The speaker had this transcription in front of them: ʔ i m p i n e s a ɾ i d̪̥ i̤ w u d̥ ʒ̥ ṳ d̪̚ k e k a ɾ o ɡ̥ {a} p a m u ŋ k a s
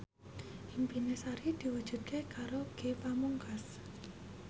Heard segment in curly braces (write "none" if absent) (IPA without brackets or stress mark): e